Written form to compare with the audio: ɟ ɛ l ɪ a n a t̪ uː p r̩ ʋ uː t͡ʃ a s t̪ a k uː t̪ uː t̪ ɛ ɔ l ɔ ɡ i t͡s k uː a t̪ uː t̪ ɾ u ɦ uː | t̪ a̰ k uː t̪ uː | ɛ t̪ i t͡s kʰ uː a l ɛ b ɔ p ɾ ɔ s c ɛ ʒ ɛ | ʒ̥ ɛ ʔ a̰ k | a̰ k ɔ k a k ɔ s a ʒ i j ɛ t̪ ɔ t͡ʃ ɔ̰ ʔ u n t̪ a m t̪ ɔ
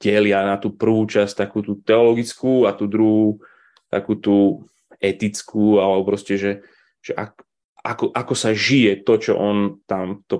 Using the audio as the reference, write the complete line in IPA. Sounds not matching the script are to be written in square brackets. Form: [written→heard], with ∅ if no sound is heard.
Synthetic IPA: ɟ ɛ l ɪ a n a t̪ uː p r̩ ʋ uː t͡ʃ a s t̪ a k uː t̪ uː t̪ ɛ ɔ l ɔ ɡ i t͡s k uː a t̪ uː [t̪→d̪] ɾ u ɦ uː | t̪ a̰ k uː t̪ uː | ɛ t̪ i t͡s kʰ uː a l ɛ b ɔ p ɾ ɔ s c ɛ ʒ ɛ | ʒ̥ ɛ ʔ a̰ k | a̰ k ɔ [k→ʔ] a k ɔ s a ʒ i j ɛ t̪ ɔ t͡ʃ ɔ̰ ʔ [u→ɔ] n t̪ a m t̪ ɔ